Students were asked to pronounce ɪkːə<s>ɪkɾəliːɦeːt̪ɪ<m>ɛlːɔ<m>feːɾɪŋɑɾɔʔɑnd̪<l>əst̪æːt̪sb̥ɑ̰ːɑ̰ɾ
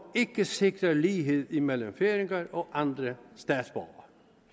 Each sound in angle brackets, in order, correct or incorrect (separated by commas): correct, correct, correct, incorrect